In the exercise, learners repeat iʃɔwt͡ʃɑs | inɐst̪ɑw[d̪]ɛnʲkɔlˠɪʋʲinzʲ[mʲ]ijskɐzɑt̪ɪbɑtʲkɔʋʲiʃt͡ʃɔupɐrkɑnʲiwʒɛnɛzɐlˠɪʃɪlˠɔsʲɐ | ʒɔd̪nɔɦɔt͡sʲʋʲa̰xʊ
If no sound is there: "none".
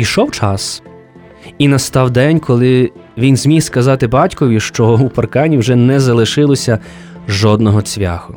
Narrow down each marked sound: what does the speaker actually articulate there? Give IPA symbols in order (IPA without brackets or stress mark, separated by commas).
d̪, mʲ